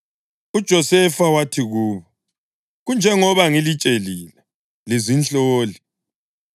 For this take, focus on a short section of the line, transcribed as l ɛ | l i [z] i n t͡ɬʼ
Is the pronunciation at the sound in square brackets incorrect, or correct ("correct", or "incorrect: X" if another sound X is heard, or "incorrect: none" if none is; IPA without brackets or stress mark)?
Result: correct